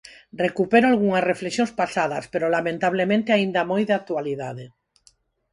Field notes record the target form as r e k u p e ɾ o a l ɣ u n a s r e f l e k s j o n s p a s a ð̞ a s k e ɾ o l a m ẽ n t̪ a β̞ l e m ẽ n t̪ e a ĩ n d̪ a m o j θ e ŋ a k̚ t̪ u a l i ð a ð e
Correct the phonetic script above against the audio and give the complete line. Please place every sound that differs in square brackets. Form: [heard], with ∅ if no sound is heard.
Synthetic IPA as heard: r e k u p e ɾ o a l ɣ u [ŋ] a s r e f l e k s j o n s p a s a ð̞ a s [p] e ɾ o l a m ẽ n t̪ a β̞ l e m ẽ n t̪ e a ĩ n d̪ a m o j [ð] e [∅] a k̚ t̪ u a l i ð a ð e

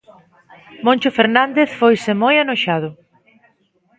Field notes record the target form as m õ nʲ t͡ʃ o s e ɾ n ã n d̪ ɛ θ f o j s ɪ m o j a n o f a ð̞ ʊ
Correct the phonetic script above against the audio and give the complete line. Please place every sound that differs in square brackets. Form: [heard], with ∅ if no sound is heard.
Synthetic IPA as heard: m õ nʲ t͡ʃ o [f] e ɾ n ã n d̪ [e] θ f o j s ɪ m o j a n o [ʃ] a ð̞ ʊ

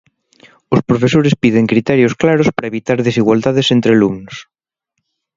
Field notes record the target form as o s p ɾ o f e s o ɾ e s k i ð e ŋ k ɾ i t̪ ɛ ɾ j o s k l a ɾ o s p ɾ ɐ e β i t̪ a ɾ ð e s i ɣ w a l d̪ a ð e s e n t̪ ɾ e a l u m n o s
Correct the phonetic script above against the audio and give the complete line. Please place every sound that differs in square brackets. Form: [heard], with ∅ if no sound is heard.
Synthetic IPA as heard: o s p ɾ o f e s o ɾ e s [p] i ð e ŋ k ɾ i t̪ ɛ ɾ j o s k l a ɾ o s p ɾ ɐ e β i t̪ a ɾ ð e s i ɣ w a l d̪ a ð e s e n t̪ ɾ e a l u m n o s

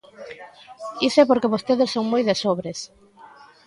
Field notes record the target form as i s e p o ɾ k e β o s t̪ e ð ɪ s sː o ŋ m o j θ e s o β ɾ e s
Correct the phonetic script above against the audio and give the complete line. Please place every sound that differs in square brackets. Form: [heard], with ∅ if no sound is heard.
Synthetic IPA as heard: i s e p o ɾ k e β o s t̪ e ð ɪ s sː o ŋ m o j [ð] e s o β ɾ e s

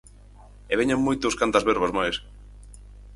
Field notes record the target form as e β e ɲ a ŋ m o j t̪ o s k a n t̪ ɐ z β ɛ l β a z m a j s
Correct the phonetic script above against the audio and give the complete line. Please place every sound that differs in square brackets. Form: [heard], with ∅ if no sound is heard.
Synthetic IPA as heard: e β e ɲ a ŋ m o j t̪ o s k a n t̪ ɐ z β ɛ [ɾ] β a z m a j s

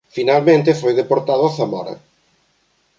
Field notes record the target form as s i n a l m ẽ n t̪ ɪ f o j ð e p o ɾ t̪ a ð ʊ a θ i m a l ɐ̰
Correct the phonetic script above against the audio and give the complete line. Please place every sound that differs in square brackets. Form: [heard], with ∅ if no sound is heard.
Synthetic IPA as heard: [f] i n a l m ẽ n t̪ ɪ f o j ð e p o ɾ t̪ a ð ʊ a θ [a] m a [ɾ] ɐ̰

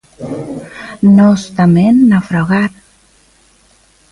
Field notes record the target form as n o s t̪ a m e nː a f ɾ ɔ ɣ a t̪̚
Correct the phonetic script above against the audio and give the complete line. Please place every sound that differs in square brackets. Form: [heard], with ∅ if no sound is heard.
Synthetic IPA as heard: n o s t̪ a m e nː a f ɾ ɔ ɣ a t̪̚

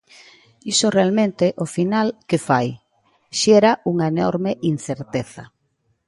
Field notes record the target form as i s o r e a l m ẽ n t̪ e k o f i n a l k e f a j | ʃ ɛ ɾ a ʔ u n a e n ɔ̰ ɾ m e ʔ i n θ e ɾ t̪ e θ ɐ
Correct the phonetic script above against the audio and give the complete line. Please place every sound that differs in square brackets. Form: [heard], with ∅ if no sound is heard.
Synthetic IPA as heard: i s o r e a l m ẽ n t̪ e [ʔ] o f i n a l k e f a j | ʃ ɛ ɾ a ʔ u [ŋ] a e n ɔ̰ ɾ m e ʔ i n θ e ɾ t̪ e θ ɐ

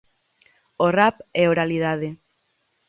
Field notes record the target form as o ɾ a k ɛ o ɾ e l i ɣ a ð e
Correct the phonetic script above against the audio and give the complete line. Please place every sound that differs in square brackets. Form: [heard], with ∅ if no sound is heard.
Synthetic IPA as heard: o [r] a [p] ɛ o ɾ [a] l i [ð] a ð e

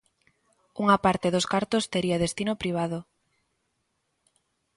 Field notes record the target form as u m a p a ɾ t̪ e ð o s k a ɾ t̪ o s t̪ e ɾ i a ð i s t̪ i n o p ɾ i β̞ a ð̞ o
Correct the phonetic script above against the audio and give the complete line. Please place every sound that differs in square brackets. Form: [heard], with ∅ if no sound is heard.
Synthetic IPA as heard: u [ŋ] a p a ɾ t̪ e ð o s k a ɾ t̪ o s t̪ e ɾ i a ð [e] s t̪ i n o p ɾ i β̞ a ð̞ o

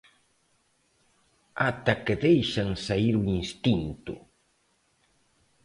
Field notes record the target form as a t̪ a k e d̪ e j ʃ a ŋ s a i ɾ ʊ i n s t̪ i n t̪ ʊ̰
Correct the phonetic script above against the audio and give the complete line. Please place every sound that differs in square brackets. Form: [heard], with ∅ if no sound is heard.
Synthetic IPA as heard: a t̪ a k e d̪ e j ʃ a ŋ s a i ɾ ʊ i n s t̪ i n t̪ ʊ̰

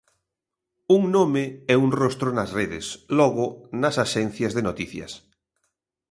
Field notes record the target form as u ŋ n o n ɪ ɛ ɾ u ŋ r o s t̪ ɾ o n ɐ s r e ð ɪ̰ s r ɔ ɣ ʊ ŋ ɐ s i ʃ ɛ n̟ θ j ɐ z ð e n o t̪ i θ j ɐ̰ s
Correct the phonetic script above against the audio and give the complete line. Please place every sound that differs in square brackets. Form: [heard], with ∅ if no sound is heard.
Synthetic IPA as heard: u ŋ n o [m] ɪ ɛ [∅] u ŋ r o s t̪ ɾ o n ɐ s r e ð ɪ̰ s [l] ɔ ɣ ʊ [n] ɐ s [a] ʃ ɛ n̟ θ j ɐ z ð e n o t̪ i θ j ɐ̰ s

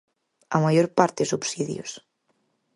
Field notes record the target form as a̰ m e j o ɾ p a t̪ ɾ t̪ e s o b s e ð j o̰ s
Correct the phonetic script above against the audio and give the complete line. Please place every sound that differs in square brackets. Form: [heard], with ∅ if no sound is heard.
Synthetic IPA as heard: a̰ m [a] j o ɾ p a [∅] ɾ t̪ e s [u] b s [i] ð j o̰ s

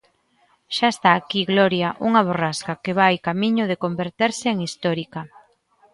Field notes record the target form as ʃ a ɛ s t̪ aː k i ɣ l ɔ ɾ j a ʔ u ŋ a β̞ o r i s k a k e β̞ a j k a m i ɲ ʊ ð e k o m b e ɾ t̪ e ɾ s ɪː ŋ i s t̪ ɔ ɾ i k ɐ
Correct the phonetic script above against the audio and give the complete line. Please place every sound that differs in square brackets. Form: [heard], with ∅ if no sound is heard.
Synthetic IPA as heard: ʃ a [e] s t̪ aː k i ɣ l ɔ ɾ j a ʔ u ŋ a β̞ o r [a] s k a k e β̞ a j k a m i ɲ ʊ ð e k o m b e ɾ t̪ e ɾ s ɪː ŋ i s t̪ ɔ ɾ i k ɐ

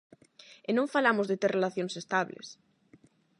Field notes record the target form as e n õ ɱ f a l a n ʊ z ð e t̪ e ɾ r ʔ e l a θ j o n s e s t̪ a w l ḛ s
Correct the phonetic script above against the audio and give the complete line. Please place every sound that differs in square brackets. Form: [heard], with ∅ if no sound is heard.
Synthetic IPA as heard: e n õ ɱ f a l a [m] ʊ z ð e t̪ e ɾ r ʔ e l a θ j o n s e s t̪ a [β] l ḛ s

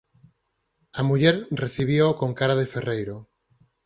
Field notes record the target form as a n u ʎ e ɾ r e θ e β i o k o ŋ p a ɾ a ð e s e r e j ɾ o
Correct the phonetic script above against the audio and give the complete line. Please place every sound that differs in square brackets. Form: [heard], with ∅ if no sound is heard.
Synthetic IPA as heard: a [m] u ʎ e ɾ r e θ [i] β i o k o ŋ [k] a ɾ a ð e [f] e r e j ɾ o

